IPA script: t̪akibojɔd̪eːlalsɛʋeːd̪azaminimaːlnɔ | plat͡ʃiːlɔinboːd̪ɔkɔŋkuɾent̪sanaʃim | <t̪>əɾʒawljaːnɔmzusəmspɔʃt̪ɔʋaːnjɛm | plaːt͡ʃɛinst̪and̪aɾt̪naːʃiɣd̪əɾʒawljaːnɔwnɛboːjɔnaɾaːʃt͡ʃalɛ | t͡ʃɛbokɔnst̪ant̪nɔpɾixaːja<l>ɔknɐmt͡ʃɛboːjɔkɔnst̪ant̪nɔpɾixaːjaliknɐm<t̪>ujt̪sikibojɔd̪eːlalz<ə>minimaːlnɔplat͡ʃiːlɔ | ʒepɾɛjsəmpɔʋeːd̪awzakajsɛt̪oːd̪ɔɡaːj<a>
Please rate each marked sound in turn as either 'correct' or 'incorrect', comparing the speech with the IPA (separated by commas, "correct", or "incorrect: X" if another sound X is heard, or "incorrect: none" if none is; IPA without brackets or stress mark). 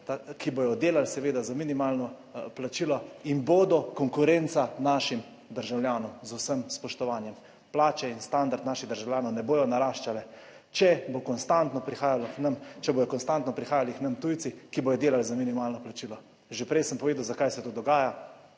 incorrect: d̪, correct, correct, incorrect: a, correct